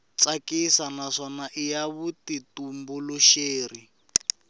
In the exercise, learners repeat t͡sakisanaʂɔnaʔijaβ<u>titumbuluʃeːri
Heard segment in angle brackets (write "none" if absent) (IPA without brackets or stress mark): u